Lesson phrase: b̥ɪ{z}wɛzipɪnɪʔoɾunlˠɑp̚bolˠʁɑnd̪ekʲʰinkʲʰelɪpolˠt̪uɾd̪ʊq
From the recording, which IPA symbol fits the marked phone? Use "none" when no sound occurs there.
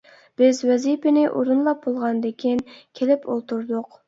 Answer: z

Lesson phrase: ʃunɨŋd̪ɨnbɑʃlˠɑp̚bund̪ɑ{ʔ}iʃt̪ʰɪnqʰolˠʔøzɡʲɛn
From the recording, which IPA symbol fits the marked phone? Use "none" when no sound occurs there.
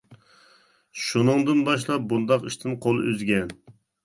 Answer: q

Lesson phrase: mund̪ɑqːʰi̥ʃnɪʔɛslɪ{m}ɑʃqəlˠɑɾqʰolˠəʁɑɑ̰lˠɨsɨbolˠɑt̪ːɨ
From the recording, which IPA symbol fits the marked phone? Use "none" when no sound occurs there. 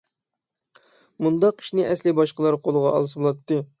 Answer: b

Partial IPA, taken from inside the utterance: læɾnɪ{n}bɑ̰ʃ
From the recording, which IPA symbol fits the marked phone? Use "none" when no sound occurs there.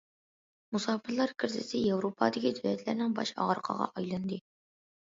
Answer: ŋ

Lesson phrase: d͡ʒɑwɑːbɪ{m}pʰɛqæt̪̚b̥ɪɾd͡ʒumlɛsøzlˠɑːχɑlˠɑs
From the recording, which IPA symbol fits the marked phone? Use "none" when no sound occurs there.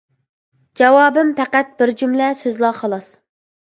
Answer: m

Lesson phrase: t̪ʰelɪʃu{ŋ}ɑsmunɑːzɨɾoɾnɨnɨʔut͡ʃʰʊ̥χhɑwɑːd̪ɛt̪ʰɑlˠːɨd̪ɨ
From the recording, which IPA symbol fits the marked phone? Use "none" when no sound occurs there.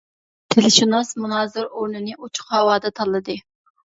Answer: n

